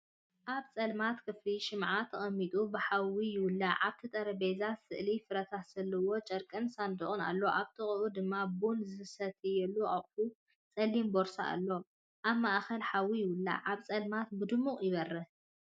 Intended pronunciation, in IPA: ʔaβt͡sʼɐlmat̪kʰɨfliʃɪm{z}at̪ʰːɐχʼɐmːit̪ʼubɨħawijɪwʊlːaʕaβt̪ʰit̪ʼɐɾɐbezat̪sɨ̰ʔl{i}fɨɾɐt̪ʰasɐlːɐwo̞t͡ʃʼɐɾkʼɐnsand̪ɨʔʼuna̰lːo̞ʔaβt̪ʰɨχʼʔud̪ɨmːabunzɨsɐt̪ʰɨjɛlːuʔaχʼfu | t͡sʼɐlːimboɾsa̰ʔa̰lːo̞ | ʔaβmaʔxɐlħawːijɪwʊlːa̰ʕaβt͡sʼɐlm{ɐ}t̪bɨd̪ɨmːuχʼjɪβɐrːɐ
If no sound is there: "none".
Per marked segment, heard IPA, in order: ʕ, i, a

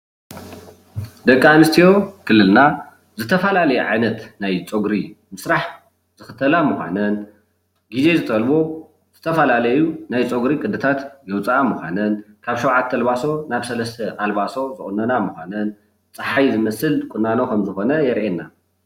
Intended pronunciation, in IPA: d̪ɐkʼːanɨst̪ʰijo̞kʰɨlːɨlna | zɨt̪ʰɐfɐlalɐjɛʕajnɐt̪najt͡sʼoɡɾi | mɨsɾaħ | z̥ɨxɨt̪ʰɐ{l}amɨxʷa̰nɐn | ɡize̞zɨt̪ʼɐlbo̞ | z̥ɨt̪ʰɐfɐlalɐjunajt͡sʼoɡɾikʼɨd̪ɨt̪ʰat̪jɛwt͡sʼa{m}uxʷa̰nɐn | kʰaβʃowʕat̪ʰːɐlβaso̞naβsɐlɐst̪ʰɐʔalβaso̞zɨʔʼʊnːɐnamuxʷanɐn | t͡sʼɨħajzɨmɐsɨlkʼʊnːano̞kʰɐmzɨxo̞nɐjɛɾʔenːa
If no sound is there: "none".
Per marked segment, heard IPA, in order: l, m

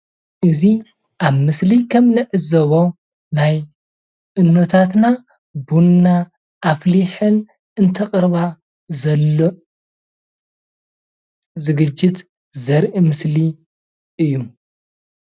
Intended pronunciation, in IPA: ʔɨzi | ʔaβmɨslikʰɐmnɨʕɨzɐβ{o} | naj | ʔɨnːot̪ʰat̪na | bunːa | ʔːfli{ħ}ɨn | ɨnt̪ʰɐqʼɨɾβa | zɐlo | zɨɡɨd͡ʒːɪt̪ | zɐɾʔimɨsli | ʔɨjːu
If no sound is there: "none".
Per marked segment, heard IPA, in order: o, ħ

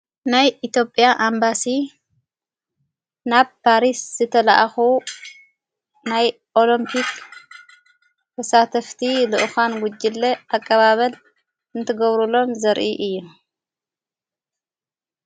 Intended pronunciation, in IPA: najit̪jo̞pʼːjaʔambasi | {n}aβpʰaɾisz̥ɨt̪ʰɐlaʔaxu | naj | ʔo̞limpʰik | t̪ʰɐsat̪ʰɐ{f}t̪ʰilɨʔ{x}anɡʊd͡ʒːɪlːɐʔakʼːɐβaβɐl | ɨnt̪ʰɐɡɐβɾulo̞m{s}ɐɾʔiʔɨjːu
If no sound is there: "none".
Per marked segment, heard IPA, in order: n, f, x, z

